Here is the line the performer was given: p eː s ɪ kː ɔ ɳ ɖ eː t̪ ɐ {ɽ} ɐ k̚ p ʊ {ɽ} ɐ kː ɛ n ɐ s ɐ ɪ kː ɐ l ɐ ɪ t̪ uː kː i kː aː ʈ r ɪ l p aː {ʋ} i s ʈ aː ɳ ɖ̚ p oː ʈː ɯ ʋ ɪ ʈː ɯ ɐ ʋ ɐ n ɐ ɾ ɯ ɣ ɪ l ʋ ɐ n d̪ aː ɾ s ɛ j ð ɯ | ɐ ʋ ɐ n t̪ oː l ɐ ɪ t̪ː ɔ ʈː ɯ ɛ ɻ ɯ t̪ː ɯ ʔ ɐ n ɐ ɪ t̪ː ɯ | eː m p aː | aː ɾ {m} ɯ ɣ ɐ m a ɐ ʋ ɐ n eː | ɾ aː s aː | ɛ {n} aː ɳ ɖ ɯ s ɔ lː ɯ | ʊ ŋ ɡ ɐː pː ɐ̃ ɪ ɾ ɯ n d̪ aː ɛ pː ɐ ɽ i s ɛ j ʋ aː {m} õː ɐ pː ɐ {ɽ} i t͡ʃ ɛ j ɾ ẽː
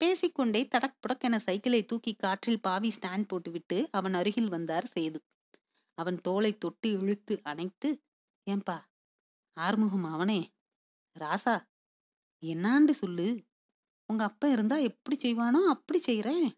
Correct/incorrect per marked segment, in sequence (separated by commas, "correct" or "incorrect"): correct, correct, correct, correct, incorrect, incorrect, correct